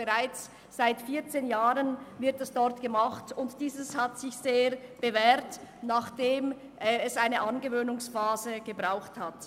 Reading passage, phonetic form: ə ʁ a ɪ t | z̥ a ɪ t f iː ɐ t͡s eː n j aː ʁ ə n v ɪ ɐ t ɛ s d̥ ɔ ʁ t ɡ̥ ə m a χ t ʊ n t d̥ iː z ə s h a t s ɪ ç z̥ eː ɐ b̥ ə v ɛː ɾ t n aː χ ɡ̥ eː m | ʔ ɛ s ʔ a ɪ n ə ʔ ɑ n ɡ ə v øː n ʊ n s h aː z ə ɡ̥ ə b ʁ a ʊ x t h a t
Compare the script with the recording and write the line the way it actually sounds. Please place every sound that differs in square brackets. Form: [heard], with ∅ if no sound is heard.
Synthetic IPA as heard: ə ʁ a ɪ [t͡s] | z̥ a ɪ t f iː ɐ t͡s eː n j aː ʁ ə n v ɪ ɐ t ɛ s d̥ ɔ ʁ t ɡ̥ ə m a χ t ʊ n t d̥ iː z ə s h a t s ɪ ç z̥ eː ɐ b̥ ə v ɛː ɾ t n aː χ [d̥] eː m | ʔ ɛ s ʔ a ɪ n ə ʔ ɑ n ɡ ə v øː n ʊ [ŋ] s [f] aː z ə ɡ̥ ə b ʁ a ʊ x t h a t